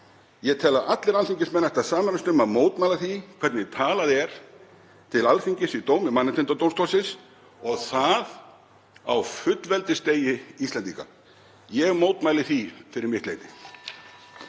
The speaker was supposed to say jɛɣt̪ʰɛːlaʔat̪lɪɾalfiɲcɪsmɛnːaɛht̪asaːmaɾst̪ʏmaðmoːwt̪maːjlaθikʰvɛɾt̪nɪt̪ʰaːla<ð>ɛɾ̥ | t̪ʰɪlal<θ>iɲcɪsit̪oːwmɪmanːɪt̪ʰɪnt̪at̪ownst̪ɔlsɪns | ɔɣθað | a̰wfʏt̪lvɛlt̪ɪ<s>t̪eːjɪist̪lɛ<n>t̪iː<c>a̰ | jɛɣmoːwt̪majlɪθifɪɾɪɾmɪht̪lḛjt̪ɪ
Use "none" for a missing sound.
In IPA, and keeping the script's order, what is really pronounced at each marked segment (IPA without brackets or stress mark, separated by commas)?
ð, f, s, n, k